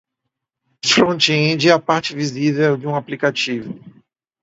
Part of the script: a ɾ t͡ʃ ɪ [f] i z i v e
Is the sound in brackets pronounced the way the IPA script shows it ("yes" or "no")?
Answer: no